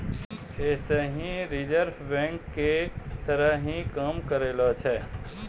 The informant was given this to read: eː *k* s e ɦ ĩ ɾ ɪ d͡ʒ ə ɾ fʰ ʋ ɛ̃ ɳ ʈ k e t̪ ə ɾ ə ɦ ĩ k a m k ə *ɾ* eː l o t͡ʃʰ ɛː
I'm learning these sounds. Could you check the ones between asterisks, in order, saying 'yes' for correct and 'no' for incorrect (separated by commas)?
no, yes